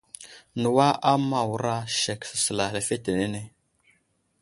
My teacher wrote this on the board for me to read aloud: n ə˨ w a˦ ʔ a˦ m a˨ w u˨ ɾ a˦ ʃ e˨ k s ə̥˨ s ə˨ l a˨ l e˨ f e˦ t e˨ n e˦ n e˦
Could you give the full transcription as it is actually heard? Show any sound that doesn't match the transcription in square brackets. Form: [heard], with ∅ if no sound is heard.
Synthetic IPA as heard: n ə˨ w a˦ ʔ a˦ m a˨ w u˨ ɾ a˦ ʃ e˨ k s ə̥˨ s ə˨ l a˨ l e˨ f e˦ t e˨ n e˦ n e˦